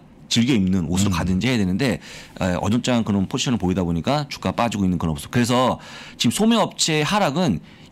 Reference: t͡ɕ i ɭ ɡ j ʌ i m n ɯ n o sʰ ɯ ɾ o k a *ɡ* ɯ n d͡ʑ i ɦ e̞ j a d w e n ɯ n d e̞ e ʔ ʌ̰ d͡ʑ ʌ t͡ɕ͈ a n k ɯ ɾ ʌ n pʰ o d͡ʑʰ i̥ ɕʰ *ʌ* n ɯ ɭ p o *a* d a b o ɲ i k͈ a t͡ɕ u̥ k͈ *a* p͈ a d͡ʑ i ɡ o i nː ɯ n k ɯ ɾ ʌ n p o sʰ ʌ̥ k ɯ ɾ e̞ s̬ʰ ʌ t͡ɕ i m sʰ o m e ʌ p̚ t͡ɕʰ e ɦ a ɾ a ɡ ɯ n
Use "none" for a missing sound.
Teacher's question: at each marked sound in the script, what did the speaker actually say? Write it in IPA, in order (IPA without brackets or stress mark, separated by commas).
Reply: d, ʌ, i, a